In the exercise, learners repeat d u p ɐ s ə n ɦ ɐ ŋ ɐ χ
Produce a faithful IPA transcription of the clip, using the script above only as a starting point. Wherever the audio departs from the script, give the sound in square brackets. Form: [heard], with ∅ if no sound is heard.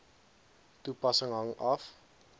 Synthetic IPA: [t] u p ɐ s ə [ŋ] ɦ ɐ ŋ ɐ [f]